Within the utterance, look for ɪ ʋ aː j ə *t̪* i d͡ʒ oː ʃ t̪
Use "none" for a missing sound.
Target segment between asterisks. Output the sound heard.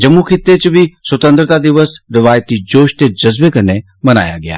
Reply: t̪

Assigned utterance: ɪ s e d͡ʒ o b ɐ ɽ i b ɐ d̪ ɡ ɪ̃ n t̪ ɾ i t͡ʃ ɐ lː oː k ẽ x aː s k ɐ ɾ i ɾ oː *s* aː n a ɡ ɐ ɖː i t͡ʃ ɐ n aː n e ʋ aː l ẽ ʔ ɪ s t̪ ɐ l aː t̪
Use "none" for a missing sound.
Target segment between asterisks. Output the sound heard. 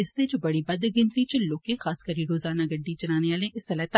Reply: z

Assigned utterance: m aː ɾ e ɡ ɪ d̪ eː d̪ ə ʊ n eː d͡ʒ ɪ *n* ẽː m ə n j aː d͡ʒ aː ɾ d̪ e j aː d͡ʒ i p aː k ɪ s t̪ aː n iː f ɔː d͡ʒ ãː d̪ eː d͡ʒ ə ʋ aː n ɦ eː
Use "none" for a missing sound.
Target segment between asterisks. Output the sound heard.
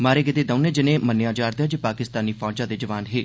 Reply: n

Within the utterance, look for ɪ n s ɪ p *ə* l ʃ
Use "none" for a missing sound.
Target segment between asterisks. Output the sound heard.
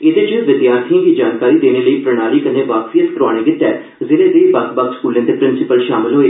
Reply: ə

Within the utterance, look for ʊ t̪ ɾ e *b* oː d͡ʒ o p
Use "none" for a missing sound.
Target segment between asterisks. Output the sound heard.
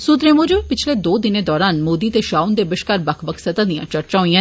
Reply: m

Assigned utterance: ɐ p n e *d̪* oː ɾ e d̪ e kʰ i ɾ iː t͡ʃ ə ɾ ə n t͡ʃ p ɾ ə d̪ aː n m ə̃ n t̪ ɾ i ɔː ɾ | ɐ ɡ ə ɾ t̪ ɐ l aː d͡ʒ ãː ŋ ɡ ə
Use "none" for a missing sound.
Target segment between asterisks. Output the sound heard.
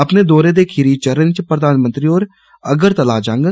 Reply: d̪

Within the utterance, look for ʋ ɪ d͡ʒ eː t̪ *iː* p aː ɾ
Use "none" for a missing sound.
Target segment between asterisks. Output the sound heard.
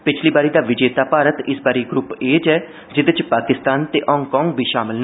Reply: aː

